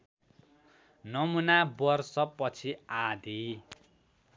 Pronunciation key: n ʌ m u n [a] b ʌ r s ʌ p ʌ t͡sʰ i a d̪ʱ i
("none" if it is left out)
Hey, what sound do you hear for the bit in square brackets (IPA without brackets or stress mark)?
a